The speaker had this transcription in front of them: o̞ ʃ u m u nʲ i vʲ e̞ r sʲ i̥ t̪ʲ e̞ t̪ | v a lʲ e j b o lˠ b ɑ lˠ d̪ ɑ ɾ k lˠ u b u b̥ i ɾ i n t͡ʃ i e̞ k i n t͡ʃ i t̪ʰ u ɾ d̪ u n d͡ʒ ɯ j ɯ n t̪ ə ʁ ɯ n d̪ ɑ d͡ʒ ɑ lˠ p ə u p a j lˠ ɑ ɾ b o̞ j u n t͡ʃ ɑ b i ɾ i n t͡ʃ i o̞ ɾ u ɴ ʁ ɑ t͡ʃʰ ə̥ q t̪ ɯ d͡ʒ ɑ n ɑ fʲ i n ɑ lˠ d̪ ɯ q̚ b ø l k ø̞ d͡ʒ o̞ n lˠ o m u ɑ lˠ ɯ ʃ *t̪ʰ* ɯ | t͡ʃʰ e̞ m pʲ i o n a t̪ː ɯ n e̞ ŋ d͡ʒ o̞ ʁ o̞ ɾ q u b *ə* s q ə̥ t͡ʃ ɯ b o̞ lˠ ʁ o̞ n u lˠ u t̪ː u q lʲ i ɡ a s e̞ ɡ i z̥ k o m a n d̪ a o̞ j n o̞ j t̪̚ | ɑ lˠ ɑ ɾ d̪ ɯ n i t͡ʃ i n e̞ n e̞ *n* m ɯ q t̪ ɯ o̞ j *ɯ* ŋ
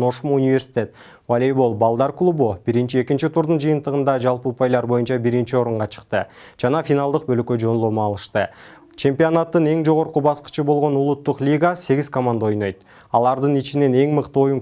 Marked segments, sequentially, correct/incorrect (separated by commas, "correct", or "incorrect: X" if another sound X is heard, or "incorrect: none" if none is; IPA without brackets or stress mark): incorrect: t̪, incorrect: ɑ, incorrect: ŋ, incorrect: u